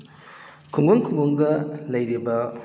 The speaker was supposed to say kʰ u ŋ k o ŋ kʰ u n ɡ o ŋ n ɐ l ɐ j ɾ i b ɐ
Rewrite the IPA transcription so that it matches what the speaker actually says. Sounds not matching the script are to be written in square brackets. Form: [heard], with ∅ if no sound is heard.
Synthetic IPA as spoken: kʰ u ŋ [ɡ] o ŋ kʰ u [ŋ] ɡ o ŋ [d] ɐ l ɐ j ɾ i b ɐ

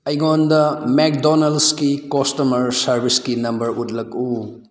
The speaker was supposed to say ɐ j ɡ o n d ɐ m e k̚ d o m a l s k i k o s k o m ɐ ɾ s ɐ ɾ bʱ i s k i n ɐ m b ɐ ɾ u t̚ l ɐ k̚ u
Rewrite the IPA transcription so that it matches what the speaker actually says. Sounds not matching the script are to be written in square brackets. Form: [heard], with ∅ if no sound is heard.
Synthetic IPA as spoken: ɐ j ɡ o n d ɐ m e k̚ d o [n] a l s k i k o s [t] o m ɐ ɾ s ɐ ɾ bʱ i s k i n ɐ m b ɐ ɾ u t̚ l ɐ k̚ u

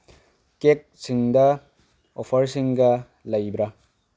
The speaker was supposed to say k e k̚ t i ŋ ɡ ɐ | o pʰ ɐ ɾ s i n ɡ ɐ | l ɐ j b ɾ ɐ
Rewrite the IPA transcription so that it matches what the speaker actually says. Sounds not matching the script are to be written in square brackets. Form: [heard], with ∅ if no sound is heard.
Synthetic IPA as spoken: k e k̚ [s] i ŋ [d] ɐ | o pʰ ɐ ɾ s i [ŋ] ɡ ɐ | l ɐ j b ɾ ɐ

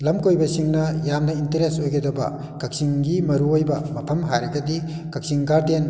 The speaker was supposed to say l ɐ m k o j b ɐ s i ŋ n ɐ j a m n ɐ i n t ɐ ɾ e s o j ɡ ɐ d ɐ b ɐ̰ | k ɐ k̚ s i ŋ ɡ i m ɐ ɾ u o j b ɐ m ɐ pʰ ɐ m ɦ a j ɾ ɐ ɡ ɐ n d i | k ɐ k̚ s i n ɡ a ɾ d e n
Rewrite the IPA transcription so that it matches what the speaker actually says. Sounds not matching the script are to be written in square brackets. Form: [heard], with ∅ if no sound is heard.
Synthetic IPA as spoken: l ɐ m k o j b ɐ s i ŋ n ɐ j a m n ɐ i n t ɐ ɾ e s o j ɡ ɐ d ɐ b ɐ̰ | k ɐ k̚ s i ŋ ɡ i m ɐ ɾ u o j b ɐ m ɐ pʰ ɐ m ɦ a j ɾ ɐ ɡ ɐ [∅] d i | k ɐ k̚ s i [ŋ] ɡ a ɾ d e n

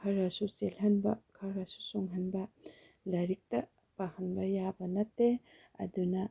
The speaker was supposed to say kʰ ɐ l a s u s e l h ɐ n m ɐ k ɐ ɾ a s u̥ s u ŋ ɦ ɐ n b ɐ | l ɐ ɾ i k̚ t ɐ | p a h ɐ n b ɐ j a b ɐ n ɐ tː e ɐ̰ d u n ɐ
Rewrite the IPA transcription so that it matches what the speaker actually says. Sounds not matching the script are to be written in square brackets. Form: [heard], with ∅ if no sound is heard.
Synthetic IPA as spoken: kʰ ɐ [ɾ] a s u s e l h ɐ n [b] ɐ [kʰ] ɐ ɾ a s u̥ s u ŋ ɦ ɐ n b ɐ | l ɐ ɾ i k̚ t ɐ | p a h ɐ n b ɐ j a b ɐ n ɐ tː e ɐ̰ d u n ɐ

